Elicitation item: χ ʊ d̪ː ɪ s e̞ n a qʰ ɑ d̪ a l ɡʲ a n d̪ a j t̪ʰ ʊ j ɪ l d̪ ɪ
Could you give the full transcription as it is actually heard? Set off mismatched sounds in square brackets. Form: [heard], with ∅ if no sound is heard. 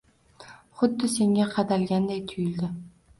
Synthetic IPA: χ ʊ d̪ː ɪ s e̞ [ŋ] a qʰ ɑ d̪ a l ɡʲ a n d̪ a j t̪ʰ ʊ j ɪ l d̪ ɪ